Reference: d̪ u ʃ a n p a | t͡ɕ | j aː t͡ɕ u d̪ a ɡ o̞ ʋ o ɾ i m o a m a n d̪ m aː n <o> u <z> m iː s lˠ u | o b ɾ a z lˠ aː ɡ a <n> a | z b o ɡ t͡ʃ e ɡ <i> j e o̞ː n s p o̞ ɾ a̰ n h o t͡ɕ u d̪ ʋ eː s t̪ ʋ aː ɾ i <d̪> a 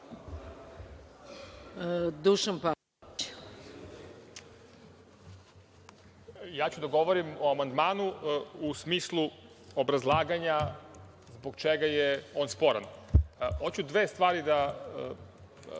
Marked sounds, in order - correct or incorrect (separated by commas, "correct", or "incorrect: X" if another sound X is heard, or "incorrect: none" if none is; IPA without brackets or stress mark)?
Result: incorrect: u, incorrect: s, incorrect: ɲ, incorrect: a, correct